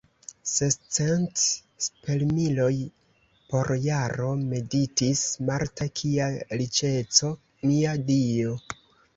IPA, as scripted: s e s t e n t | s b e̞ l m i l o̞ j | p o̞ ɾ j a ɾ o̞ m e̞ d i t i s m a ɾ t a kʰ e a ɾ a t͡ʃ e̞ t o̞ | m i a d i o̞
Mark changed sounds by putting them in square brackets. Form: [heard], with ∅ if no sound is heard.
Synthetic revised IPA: s e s [t͡s] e n t | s [p] e̞ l m i l o̞ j | p o̞ ɾ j a ɾ o̞ m e̞ d i t i s m a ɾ t a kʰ [i] a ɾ [i] t͡ʃ e̞ [t͡s] o̞ | m i a d i o̞